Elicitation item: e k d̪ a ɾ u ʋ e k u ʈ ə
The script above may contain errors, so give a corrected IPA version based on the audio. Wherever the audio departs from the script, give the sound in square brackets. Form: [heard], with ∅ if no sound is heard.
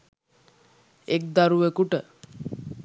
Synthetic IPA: e k d̪ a ɾ u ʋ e k u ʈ ə